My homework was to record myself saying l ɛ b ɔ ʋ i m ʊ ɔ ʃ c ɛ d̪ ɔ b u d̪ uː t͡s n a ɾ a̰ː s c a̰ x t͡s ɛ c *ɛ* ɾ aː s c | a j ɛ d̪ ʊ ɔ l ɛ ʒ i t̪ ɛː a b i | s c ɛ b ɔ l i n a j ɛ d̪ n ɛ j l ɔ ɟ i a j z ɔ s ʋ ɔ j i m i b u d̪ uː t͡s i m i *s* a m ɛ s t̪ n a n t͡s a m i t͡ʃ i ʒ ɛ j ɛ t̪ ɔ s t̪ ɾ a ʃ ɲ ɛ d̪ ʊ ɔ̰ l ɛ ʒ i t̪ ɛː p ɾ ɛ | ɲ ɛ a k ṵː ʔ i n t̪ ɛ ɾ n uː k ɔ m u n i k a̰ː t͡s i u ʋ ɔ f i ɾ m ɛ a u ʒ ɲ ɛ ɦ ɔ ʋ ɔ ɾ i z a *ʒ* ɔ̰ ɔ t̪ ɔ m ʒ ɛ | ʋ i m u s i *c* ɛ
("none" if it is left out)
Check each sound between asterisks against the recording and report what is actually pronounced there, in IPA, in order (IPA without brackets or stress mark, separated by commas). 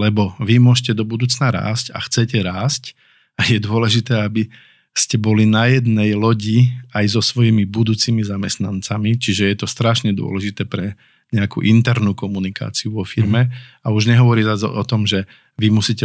ɛ, z, z, c